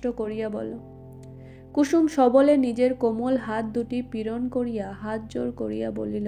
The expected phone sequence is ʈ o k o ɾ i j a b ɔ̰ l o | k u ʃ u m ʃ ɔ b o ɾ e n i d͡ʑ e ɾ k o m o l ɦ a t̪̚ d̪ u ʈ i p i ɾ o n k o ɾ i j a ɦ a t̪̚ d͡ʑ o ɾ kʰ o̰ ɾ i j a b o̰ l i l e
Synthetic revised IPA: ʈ o k o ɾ i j a b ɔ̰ l o | k u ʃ u m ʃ ɔ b o l e n i d͡ʑ e ɾ k o m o l ɦ a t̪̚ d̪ u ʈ i p i ɾ o n k o ɾ i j a ɦ a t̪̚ d͡ʑ o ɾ k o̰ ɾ i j a b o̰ l i l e